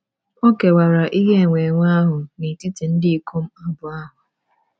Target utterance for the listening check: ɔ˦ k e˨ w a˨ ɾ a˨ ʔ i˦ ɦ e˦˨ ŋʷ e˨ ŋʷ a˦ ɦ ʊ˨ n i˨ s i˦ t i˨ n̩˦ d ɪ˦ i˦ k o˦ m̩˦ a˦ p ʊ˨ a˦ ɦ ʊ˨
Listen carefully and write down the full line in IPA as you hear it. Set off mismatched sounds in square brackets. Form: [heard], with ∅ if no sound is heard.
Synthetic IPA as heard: [o˦] k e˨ w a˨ ɾ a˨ ʔ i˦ ɦ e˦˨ ŋʷ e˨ ŋʷ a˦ ɦ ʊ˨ n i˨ [t] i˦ t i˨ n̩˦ d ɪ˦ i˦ k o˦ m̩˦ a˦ [b] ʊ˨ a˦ ɦ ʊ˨